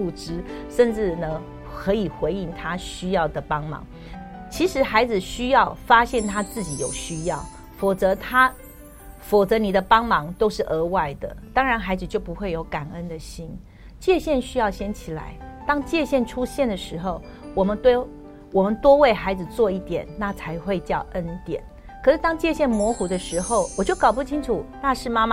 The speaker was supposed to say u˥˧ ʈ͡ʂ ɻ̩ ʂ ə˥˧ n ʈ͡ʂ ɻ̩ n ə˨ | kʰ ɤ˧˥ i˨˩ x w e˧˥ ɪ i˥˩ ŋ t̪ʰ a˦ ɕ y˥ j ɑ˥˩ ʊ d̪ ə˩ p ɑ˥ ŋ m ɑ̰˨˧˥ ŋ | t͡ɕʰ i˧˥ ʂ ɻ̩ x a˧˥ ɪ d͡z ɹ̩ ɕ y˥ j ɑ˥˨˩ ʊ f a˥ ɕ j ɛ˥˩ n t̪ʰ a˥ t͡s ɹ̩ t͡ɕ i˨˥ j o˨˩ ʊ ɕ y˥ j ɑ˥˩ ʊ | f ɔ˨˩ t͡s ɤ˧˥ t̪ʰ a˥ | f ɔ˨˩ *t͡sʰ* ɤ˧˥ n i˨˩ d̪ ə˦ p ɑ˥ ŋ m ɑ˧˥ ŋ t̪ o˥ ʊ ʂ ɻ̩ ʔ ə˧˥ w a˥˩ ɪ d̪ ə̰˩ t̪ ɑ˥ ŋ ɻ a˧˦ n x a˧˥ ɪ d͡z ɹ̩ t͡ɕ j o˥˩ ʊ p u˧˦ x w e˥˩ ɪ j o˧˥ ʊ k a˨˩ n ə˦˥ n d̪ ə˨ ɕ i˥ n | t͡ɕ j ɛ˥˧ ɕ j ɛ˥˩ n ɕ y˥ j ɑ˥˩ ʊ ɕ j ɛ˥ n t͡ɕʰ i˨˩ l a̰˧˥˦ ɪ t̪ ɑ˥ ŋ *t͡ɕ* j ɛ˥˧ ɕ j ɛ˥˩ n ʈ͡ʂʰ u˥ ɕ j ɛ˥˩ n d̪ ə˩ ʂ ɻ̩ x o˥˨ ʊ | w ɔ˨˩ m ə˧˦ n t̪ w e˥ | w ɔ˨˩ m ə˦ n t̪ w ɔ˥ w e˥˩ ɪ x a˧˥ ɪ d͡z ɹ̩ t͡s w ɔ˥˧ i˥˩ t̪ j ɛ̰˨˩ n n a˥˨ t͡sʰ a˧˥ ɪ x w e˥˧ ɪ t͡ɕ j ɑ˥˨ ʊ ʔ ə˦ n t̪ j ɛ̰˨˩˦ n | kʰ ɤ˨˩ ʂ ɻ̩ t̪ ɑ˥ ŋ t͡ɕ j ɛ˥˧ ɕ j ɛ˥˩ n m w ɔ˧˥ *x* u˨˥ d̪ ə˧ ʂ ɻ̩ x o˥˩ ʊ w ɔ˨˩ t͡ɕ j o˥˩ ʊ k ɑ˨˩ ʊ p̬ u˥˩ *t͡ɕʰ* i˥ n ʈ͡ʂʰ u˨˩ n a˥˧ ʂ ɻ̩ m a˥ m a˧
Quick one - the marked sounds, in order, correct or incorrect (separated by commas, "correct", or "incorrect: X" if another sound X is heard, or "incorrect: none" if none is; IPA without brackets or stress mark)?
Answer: incorrect: t͡s, correct, correct, correct